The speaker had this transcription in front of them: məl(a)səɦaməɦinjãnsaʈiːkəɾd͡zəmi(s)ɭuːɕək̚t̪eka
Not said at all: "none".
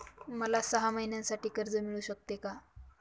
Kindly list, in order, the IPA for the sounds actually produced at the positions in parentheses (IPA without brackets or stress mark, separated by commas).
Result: a, none